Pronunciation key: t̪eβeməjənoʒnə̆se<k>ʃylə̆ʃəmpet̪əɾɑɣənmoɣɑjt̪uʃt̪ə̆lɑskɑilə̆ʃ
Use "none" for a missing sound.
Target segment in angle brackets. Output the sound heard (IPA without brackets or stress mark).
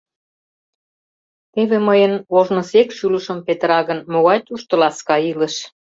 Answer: k